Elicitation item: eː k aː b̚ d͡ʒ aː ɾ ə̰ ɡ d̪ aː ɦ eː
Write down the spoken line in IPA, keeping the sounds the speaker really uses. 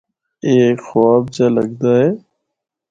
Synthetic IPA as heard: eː x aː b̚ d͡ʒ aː l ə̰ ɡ d̪ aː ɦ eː